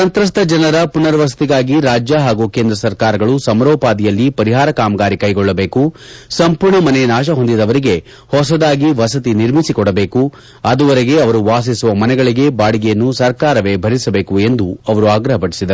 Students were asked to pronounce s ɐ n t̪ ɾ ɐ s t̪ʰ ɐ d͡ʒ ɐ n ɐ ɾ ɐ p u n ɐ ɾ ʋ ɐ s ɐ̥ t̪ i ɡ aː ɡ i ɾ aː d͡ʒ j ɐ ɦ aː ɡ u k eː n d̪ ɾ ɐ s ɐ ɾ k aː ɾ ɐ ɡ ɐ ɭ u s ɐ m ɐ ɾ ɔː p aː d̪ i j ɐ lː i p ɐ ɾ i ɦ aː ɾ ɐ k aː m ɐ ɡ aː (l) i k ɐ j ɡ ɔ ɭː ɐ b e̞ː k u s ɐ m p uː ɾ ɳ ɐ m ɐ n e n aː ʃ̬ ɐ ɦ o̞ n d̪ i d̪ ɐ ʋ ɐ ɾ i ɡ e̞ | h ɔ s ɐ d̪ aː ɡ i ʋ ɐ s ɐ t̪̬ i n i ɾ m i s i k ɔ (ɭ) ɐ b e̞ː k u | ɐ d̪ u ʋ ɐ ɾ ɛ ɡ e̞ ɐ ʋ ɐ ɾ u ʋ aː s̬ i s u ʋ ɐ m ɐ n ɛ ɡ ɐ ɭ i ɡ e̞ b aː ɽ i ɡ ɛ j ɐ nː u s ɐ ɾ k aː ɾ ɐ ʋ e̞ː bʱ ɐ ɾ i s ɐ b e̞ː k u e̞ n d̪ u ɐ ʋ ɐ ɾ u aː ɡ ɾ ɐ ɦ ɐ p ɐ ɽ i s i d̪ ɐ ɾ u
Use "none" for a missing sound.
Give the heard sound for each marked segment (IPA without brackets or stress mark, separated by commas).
ɾ, ɽ